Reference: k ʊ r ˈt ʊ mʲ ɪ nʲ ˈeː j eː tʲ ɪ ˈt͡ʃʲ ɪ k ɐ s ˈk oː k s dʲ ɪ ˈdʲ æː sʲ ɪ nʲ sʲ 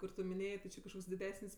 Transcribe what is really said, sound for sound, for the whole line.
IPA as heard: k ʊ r ˈt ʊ mʲ ɪ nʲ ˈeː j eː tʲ ɪ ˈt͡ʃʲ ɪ k ɐ ʃ ˈk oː k s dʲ ɪ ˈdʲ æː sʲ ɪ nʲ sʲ

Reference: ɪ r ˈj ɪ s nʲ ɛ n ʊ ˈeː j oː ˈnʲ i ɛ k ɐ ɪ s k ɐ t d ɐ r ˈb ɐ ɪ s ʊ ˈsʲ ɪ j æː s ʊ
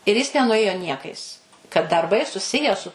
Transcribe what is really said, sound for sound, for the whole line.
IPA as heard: ɪ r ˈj ɪ s nʲ ɛ n ʊ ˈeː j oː ˈnʲ i ɛ k ɐ ɪ s k ɐ t d ɐ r ˈb ɐ ɪ s ʊ ˈsʲ ɪ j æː s ʊ

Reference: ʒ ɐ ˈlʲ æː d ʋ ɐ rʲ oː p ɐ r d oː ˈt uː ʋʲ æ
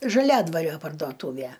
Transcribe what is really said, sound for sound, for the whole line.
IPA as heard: ʒ ɐ ˈlʲ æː d ʋ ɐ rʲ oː p ɐ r d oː ˈt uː ʋʲ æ

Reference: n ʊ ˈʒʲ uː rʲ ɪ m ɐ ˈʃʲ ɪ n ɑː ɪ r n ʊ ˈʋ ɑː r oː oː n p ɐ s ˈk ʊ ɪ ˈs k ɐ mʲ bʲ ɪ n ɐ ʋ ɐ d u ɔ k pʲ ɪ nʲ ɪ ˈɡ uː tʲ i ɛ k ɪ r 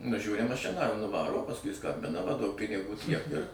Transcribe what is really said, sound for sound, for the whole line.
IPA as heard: n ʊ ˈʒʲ uː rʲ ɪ m ɐ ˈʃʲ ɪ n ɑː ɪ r n ʊ ˈʋ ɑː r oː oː p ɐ s ˈk ʊ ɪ ˈs k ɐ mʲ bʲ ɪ n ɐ ʋ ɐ d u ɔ k pʲ ɪ nʲ ɪ ˈɡ uː tʲ i ɛ k ɪ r

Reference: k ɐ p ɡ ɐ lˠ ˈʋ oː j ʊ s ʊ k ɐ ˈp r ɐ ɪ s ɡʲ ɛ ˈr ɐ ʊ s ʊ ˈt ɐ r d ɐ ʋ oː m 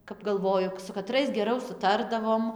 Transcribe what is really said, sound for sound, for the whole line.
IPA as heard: k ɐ p ɡ ɐ lˠ ˈʋ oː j ʊ s ʊ k ɐ ˈt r ɐ ɪ s ɡʲ ɛ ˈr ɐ ʊ s ʊ ˈt ɐ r d ɐ ʋ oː m

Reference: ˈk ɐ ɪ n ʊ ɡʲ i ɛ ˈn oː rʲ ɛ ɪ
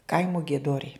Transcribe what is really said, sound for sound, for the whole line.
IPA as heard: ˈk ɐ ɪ m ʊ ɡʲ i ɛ ˈd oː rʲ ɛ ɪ

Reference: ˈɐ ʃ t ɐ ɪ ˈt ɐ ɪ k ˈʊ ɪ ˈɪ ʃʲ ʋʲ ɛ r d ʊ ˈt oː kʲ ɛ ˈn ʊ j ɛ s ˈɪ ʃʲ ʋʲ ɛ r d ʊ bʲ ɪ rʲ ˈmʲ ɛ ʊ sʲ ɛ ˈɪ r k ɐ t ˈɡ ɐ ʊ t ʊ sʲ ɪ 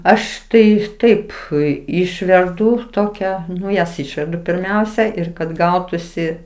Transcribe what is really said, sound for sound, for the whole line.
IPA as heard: ˈɐ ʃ t ɐ ɪ ˈt ɐ ɪ p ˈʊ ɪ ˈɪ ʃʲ ʋʲ ɛ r d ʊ ˈt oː kʲ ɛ ˈn ʊ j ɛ s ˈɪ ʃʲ ʋʲ ɛ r d ʊ pʲ ɪ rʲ ˈmʲ ɛ ʊ sʲ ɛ ˈɪ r k ɐ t ˈɡ ɐ ʊ t ʊ sʲ ɪ

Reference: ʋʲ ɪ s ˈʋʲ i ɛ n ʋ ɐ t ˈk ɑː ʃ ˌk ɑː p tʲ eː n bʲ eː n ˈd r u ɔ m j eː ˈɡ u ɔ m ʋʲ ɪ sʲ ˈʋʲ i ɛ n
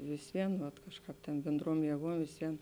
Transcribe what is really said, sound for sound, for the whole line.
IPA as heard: ʋʲ ɪ s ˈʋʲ i ɛ n ʋ ɐ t ˈk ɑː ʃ ˌk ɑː p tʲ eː n bʲ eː n ˈd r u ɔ m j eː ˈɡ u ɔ m ʋʲ ɪ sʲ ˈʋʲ i ɛ n

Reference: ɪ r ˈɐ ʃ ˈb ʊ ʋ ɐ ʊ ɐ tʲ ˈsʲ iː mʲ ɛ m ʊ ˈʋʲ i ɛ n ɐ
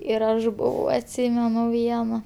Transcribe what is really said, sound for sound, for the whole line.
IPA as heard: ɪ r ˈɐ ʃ ˈb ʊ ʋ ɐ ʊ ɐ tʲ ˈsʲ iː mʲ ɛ n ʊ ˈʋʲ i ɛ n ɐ

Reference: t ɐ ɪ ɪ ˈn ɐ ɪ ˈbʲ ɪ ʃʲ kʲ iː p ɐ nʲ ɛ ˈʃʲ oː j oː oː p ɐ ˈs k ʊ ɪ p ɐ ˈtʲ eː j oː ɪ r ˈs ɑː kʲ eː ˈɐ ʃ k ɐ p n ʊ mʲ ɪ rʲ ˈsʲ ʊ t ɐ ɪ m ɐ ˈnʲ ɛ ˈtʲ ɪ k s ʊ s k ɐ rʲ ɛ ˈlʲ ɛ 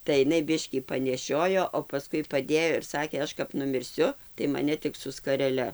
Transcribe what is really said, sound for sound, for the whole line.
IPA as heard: t ɐ ɪ ɪ ˈn ɐ ɪ ˈbʲ ɪ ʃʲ kʲ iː p ɐ nʲ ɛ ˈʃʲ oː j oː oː p ɐ ˈs k ʊ ɪ p ɐ ˈdʲ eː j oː ɪ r ˈs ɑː kʲ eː ˈɐ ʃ k ɐ p n ʊ mʲ ɪ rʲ ˈsʲ ʊ t ɐ ɪ m ɐ ˈnʲ ɛ ˈtʲ ɪ k s ʊ s k ɐ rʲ ɛ ˈlʲ ɛ

